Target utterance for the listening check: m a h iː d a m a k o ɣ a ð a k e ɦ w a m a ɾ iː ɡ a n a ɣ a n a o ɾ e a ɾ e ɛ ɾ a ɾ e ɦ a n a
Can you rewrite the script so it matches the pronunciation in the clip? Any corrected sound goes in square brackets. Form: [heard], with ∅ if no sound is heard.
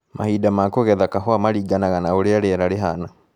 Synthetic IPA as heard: m a h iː d a m a k o ɣ [ɛ] ð a k [a] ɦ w a m a ɾ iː ɡ a n a ɣ a n a o ɾ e a ɾ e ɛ ɾ a ɾ e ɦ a n a

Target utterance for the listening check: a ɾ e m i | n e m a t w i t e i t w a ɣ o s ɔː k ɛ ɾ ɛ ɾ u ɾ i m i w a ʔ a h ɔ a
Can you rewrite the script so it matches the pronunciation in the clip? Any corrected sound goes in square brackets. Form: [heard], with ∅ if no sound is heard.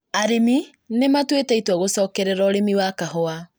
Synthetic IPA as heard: a ɾ e m i | n e m a t w [e] t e i t w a ɣ o s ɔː k ɛ ɾ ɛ ɾ [ɔ] ɾ [e] m i w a [k] a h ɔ a

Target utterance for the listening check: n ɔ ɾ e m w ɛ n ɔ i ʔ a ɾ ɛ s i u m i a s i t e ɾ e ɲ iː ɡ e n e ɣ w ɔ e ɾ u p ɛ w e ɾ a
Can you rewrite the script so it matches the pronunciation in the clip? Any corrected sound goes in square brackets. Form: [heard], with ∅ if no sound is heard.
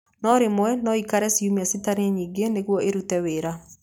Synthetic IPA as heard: n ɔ ɾ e m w ɛ n ɔ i [k] a ɾ ɛ s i u m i a s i t [a] ɾ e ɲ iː ɡ e n e ɣ w ɔ e ɾ u [t] ɛ w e ɾ a

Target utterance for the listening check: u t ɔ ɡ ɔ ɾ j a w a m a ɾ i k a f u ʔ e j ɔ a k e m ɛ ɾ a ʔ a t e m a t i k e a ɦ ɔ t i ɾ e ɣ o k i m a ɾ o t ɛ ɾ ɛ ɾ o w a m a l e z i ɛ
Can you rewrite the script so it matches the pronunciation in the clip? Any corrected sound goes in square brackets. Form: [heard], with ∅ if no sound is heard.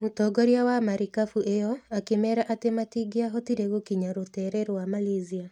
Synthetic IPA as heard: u t ɔ ɡ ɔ ɾ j a w a m a ɾ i k a f u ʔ e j ɔ a k e m ɛ ɾ a ʔ a t e m a t i [ɡ] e a ɦ ɔ t i ɾ e ɣ o k i [ɲ] a ɾ o t ɛ ɾ ɛ ɾ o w a m a l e z i [a]

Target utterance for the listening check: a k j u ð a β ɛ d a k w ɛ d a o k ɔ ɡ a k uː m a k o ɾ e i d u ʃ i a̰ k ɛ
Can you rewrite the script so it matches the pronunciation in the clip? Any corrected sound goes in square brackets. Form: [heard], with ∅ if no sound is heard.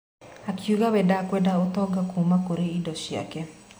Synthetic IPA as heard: a k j u [ɣ] a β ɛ d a k w ɛ d a o [t] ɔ ɡ a k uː m a k o ɾ e i d [ɔ] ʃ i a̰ k ɛ

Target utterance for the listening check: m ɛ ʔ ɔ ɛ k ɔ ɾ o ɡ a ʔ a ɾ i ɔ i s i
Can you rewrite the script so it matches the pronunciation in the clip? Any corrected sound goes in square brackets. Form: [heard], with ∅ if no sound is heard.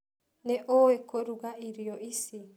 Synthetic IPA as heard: [n] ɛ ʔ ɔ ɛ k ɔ ɾ [u] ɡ a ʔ [i] ɾ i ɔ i s i

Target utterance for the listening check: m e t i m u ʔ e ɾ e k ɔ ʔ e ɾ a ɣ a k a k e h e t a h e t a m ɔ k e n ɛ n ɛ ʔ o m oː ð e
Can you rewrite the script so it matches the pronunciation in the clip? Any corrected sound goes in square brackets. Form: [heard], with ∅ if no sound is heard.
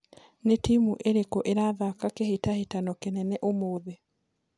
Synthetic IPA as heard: [n] e t i m u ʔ e ɾ e k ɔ ʔ e ɾ a [ð] a k a k e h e t a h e t a [n] ɔ k e n ɛ n ɛ ʔ o m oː ð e

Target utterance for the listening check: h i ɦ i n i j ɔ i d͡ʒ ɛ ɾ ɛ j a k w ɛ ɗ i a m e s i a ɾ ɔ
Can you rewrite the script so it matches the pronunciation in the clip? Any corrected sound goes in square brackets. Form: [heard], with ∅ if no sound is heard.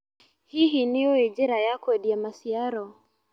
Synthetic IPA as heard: h i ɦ i n i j ɔ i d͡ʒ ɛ ɾ [a] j a k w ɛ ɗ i a m [a] s i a ɾ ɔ

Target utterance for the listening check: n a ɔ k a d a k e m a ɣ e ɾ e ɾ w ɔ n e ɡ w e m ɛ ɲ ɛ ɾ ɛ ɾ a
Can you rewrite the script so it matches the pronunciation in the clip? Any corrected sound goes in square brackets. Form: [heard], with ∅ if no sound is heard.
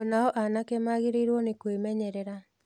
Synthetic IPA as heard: n a ɔ [ʔ] a [n] a k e m a ɣ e ɾ e ɾ w ɔ n e [k] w e m ɛ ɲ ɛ ɾ ɛ ɾ a

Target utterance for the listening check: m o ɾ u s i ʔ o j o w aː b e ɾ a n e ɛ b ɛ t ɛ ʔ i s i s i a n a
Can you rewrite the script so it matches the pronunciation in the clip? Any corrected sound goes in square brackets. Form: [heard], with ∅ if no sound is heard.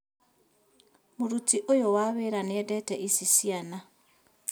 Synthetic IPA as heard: m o ɾ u [t] i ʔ o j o w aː [β] e ɾ a n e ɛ [d] ɛ t ɛ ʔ i s i s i a n a

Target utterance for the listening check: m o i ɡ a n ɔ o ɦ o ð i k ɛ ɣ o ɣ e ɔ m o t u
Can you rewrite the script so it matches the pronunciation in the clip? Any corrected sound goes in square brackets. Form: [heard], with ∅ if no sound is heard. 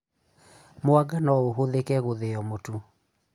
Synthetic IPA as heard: m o [a] ɡ a n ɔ o ɦ o ð [e] k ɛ ɣ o [ð] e ɔ m o t u

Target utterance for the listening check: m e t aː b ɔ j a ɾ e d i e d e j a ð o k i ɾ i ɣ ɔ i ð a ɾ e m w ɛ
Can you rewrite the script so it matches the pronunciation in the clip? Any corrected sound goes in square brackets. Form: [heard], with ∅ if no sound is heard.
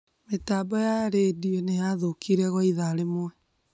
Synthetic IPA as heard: m e t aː b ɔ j a ɾ e d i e [n] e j a ð o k i ɾ [ɛ] ɣ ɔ i ð a ɾ e m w ɛ

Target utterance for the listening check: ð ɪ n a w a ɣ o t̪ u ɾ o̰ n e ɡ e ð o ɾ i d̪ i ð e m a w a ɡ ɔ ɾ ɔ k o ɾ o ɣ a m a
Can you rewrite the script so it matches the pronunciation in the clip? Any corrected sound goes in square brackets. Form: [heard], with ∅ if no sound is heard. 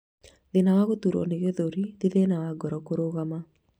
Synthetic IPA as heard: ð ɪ n a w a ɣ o t̪ u ɾ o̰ n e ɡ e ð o ɾ i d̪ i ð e [n] a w a ɡ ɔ ɾ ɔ k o ɾ o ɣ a m a

